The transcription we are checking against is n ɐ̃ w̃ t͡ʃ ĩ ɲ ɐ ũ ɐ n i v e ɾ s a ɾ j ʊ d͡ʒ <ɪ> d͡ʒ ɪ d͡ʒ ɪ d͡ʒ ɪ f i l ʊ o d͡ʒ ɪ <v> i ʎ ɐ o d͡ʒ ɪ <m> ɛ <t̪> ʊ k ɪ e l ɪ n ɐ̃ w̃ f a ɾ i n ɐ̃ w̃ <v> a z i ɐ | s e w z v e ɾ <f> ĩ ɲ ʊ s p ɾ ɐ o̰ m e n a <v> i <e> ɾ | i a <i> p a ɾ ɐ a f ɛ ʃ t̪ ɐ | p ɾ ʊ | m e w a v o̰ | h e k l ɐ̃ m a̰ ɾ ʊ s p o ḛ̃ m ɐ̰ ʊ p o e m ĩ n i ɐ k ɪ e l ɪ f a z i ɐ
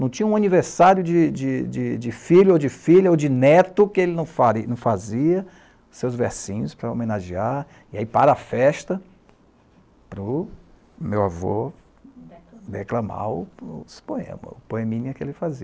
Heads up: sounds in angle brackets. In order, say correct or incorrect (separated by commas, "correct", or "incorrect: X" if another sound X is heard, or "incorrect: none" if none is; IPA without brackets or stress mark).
correct, incorrect: f, incorrect: n, correct, incorrect: f, incorrect: s, incorrect: ʒ, incorrect: a, correct